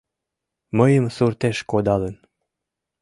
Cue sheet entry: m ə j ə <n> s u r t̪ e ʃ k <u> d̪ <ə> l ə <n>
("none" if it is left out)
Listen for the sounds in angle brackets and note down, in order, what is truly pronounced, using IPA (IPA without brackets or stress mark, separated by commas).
m, o, ɑ, n